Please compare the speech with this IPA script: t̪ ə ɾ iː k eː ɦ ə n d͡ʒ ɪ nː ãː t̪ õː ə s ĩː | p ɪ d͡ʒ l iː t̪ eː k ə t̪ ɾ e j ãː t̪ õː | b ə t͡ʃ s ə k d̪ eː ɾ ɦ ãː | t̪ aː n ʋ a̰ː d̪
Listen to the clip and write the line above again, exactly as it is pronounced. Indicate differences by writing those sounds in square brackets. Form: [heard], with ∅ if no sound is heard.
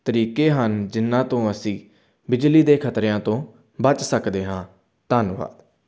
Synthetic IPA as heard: t̪ ə ɾ iː k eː ɦ ə n d͡ʒ ɪ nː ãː t̪ õː ə s ĩː | [b] ɪ d͡ʒ l iː [d̪] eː [kʰ] ə t̪ ɾ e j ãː t̪ õː | b ə t͡ʃ s ə k d̪ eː [∅] ɦ ãː | t̪ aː n ʋ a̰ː d̪